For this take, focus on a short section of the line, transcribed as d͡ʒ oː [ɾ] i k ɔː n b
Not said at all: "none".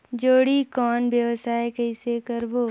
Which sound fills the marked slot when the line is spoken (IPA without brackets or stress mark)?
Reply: ɽ